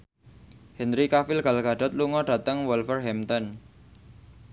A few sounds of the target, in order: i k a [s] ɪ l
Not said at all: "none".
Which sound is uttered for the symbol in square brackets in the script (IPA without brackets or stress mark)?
f